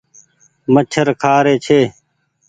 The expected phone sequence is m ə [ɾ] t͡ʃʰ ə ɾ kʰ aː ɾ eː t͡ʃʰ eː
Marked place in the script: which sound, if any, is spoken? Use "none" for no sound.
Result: none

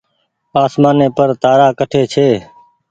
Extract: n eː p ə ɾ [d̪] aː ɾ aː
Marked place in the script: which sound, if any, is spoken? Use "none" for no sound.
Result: t̪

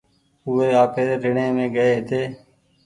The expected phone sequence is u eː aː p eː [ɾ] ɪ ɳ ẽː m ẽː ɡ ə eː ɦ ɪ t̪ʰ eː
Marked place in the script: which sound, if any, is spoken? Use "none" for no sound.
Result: ɾ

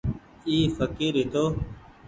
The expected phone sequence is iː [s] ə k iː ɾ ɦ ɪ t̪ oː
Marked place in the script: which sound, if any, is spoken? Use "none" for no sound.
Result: f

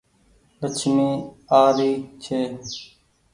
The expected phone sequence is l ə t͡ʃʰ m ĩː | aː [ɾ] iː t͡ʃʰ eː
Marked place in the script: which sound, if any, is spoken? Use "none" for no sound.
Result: ɾ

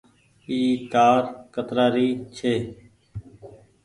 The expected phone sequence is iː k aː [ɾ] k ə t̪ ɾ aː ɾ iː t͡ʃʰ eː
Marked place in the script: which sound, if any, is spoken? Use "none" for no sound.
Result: ɾ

